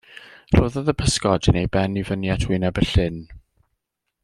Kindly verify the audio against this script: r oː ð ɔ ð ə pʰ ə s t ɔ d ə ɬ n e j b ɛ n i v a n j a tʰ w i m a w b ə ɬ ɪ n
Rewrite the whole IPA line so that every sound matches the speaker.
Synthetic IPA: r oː ð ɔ ð ə pʰ ə s k ɔ d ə n e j b ɛ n i v ə n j a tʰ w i n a b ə ɬ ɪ n

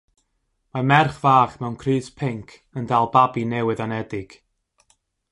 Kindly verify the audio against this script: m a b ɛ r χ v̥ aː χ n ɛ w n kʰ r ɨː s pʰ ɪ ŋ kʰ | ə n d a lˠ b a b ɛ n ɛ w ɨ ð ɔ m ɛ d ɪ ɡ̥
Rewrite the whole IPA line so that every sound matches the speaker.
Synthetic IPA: m a m ɛ r χ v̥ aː χ m ɛ w n kʰ r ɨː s pʰ ɪ ŋ kʰ | ə n d a lˠ b a b i n ɛ w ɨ ð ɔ n ɛ d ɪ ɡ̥

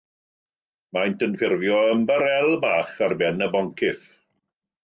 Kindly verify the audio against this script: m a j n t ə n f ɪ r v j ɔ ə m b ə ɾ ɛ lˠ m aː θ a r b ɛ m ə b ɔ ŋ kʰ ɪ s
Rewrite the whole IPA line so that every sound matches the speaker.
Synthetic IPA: m a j n t ə n f ɪ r v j ɔ ə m b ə ɾ ɛ lˠ b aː χ a r b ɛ n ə b ɔ ŋ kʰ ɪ θ

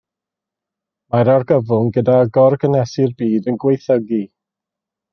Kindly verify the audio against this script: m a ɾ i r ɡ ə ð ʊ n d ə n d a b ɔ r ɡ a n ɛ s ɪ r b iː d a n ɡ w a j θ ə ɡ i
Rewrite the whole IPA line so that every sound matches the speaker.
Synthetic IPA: m a ɾ a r ɡ ə v ʊ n ɡ ə d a ɡ ɔ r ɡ ə n ɛ s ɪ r b iː d ə n ɡ w e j θ ə ɡ i

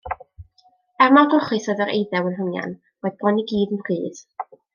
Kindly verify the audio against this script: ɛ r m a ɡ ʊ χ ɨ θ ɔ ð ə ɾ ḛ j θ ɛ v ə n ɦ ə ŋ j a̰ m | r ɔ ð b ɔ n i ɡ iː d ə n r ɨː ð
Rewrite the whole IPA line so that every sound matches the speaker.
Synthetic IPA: ɛ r m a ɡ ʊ χ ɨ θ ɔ ð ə ɾ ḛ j ð ɛ w ə n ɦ ə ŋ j a̰ n | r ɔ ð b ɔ n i ɡ iː d ə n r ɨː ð

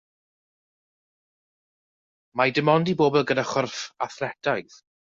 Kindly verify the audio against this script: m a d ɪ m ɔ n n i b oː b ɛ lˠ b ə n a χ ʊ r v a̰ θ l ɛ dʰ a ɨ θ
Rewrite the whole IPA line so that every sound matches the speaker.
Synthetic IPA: m a d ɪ m ɔ n d i b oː b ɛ lˠ ɡ ə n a χ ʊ r f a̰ θ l ɛ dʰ a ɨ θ

